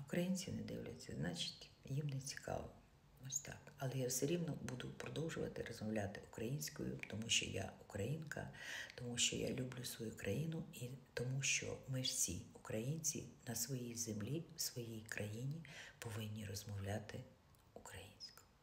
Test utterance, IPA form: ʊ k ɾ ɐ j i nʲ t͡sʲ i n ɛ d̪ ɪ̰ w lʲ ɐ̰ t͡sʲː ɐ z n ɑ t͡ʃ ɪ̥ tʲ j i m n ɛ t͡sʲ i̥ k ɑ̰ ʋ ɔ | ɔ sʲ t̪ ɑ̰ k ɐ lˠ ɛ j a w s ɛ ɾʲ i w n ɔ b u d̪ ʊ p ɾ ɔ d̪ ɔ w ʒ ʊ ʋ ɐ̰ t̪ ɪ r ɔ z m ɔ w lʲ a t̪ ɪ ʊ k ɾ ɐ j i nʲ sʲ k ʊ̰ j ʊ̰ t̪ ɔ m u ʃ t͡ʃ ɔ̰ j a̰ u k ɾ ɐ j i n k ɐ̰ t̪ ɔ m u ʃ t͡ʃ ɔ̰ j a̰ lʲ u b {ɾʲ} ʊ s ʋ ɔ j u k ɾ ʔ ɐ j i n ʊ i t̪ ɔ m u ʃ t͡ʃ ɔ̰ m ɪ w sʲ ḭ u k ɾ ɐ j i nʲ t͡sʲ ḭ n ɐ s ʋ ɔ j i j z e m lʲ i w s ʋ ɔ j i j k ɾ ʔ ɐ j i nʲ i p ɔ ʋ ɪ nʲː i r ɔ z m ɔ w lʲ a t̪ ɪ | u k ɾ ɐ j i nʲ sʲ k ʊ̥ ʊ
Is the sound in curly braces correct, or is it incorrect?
incorrect